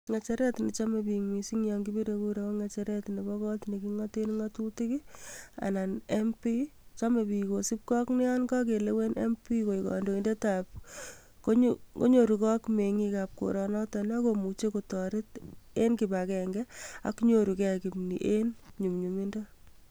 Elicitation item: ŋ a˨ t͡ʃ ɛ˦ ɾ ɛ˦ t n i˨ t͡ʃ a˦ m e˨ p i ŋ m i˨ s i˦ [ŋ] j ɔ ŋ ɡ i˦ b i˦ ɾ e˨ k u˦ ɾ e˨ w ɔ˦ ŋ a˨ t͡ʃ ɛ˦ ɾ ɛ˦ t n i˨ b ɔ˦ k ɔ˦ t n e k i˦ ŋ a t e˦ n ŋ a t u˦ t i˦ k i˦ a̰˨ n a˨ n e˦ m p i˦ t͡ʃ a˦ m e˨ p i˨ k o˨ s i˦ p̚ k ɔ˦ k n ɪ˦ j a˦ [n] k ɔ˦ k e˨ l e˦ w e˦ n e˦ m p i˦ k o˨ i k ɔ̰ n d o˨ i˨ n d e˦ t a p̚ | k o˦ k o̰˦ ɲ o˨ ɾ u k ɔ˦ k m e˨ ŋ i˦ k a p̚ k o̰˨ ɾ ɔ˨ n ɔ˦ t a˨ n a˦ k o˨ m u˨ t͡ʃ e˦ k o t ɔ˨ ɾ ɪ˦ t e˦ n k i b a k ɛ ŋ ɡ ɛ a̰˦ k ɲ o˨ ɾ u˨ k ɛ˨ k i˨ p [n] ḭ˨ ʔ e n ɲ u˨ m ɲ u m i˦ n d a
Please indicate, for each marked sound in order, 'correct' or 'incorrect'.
correct, correct, correct

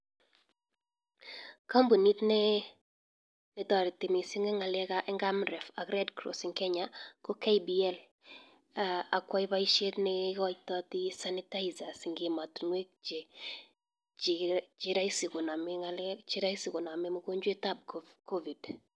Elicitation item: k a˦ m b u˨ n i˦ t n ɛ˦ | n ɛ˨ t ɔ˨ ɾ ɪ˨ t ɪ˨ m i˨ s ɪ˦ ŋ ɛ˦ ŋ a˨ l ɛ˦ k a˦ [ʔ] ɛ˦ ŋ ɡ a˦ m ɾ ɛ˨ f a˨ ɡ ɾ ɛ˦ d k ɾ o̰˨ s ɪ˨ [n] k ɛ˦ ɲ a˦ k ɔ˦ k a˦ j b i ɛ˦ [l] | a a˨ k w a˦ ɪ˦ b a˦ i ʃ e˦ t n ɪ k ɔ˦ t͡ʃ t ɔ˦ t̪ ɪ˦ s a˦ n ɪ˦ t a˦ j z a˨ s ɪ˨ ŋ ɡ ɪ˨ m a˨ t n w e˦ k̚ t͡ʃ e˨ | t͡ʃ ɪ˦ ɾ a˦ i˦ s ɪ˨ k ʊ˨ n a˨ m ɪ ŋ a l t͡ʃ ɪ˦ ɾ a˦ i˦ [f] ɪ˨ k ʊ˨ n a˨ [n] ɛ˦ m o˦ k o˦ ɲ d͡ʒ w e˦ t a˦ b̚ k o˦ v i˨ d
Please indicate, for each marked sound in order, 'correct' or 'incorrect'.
correct, incorrect: ŋ, correct, incorrect: s, incorrect: m

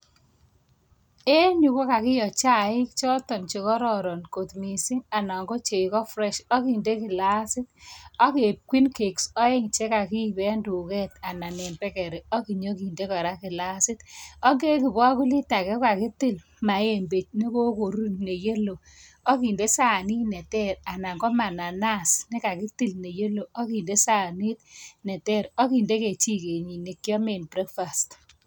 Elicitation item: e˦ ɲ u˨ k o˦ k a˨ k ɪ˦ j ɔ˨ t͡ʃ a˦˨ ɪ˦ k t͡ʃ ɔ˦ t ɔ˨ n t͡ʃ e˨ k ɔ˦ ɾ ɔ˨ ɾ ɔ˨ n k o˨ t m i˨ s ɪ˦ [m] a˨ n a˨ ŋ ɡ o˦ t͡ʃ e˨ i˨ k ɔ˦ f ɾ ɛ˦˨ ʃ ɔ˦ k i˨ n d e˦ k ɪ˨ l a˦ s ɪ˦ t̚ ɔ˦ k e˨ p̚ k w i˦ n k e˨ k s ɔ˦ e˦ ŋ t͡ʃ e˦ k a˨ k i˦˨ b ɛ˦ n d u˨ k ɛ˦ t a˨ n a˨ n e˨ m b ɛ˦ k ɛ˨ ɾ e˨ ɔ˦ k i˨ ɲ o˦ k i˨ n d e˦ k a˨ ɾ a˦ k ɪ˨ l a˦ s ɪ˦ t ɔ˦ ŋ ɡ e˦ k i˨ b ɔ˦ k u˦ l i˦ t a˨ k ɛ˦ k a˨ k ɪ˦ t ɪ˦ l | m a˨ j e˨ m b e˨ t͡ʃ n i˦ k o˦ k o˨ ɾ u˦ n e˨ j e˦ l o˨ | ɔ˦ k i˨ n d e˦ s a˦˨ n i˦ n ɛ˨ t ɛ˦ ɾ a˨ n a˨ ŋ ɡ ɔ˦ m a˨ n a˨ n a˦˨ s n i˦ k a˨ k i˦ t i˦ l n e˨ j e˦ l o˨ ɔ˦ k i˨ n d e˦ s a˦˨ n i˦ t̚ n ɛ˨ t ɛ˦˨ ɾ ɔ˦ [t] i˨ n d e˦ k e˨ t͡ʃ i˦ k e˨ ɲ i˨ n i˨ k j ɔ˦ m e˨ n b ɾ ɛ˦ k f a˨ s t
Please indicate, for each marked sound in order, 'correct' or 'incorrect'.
incorrect: ŋ, incorrect: k

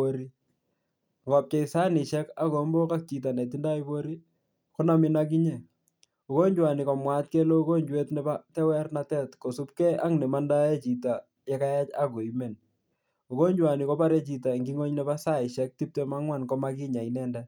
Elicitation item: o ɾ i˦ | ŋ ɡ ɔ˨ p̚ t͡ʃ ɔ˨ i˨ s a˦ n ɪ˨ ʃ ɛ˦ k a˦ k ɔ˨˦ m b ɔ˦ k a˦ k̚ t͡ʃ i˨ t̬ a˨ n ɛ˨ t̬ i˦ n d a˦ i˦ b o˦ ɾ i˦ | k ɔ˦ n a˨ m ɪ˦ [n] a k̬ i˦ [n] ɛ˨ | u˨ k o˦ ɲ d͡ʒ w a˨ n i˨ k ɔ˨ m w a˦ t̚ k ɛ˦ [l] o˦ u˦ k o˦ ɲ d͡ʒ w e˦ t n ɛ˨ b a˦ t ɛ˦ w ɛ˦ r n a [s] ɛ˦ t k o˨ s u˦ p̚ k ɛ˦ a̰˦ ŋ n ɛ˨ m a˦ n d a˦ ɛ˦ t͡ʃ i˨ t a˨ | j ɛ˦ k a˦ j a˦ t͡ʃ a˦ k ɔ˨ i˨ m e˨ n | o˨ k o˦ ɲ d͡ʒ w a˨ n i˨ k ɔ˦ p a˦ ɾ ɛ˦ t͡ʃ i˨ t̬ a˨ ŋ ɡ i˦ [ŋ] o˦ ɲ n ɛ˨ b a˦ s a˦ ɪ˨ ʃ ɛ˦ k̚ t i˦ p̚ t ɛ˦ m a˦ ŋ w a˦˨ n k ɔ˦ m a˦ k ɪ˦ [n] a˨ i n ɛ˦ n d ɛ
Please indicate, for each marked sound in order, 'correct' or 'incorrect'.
correct, incorrect: ɲ, correct, incorrect: t, correct, incorrect: ɲ

